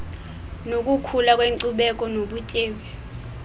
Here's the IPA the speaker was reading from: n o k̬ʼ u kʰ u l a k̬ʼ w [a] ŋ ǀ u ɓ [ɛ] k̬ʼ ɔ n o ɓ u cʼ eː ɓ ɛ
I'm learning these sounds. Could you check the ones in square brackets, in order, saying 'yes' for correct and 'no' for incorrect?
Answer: no, yes

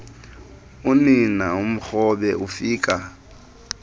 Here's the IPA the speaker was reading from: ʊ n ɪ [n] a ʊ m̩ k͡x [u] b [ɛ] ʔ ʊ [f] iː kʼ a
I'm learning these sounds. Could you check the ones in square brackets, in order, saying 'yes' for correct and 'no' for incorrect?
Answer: yes, no, yes, yes

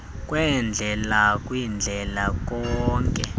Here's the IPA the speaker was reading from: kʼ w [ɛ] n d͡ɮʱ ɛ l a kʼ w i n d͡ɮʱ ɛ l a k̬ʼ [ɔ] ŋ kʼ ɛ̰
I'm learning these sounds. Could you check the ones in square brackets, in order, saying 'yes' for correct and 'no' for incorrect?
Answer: yes, no

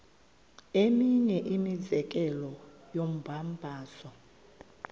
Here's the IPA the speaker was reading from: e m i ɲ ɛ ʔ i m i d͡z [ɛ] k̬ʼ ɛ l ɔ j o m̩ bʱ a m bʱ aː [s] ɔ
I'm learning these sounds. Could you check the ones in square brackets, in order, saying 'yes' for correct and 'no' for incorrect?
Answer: yes, yes

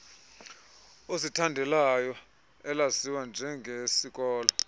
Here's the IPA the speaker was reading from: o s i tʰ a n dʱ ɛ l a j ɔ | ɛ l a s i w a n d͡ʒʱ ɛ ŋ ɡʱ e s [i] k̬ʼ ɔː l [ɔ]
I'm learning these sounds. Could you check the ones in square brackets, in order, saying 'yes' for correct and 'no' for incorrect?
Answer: yes, yes

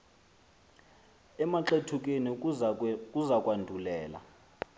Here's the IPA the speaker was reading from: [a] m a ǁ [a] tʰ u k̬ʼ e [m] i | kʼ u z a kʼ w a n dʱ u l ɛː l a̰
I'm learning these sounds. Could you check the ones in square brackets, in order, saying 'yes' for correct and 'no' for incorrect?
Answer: no, no, no

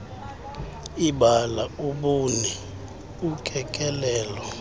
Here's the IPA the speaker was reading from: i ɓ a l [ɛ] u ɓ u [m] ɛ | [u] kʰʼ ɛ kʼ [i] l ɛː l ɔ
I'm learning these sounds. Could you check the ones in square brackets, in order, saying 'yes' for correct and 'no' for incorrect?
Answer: no, no, yes, no

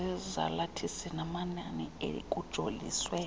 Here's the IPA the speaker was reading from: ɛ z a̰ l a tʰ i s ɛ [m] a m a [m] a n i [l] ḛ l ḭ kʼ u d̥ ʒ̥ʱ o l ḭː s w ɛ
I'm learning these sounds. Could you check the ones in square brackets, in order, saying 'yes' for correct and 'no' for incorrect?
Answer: no, no, no

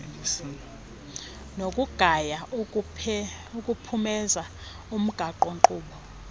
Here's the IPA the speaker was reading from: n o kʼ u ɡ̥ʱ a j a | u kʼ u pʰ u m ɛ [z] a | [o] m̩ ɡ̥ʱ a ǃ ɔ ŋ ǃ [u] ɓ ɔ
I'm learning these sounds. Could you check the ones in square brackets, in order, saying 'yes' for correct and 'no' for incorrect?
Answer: yes, no, no

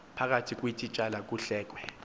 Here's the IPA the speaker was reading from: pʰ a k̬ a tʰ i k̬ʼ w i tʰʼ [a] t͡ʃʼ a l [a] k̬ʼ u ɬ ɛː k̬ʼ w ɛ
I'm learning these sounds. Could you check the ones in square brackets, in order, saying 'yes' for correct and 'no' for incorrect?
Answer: no, yes

